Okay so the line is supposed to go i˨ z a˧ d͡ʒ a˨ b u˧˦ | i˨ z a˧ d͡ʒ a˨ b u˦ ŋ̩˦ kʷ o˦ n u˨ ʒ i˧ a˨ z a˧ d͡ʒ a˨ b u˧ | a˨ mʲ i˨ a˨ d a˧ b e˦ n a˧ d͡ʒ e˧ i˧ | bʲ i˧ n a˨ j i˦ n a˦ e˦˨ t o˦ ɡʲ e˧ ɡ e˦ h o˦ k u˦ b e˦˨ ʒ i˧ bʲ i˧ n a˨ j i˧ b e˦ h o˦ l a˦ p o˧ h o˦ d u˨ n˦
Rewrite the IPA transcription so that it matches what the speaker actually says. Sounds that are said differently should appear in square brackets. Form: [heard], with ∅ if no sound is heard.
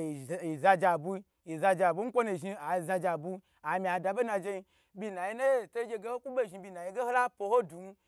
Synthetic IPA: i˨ z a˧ d͡ʒ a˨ b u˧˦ | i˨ z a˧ d͡ʒ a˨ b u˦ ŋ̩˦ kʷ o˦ n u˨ ʒ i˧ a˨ z a˧ d͡ʒ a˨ b u˧ | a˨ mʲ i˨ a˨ d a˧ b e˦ n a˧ d͡ʒ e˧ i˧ | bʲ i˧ n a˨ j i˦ n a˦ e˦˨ t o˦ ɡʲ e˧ ɡ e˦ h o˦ k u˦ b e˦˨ ʒ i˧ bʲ i˧ n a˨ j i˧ [ɡ] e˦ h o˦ l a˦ p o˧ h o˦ d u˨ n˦